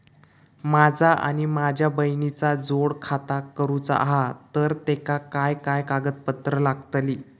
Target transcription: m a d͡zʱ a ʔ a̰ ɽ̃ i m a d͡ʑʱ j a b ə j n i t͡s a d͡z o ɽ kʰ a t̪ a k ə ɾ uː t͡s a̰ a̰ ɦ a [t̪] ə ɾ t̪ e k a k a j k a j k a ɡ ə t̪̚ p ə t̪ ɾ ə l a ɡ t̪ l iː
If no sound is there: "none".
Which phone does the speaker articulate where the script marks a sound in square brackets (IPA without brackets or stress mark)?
t̪